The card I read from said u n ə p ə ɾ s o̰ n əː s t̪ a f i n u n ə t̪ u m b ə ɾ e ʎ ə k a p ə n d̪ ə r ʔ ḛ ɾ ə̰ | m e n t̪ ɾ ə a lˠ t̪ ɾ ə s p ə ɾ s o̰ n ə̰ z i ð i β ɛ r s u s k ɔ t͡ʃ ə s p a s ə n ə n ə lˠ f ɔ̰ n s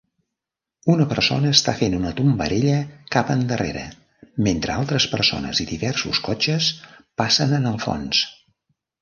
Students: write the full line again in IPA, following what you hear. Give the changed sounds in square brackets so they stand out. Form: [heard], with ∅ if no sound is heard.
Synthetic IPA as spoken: u n ə p ə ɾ s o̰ n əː s t̪ a f [e] n u n ə t̪ u m b ə ɾ e ʎ ə k a p ə n d̪ ə r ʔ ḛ ɾ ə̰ | m e n t̪ ɾ ə a lˠ t̪ ɾ ə s p ə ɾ s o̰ n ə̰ z i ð i β ɛ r s u s k ɔ t͡ʃ ə s p a s ə n ə n ə lˠ f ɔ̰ n s